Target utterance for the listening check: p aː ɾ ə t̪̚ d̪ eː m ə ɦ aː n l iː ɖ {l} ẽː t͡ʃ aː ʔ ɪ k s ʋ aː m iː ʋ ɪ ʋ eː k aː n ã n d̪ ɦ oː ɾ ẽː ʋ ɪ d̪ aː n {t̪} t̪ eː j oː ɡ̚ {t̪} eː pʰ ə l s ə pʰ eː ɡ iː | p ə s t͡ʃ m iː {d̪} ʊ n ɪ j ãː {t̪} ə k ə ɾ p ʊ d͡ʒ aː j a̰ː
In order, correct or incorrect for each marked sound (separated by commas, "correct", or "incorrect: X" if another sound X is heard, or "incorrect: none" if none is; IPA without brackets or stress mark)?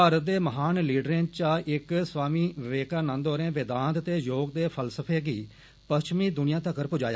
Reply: incorrect: ɾ, correct, incorrect: d̪, correct, correct